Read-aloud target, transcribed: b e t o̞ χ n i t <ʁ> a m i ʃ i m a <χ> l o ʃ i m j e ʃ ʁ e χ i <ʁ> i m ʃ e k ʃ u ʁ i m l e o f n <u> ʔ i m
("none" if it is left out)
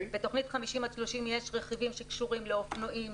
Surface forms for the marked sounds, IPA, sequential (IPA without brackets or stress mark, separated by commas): χ, ʃ, v, o